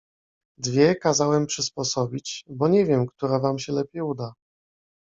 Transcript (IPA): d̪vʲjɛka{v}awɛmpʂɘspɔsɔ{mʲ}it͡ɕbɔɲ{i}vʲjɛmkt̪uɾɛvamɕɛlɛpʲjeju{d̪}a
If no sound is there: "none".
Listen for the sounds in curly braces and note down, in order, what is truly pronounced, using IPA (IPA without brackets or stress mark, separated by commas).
z, bʲ, ɛ, d̪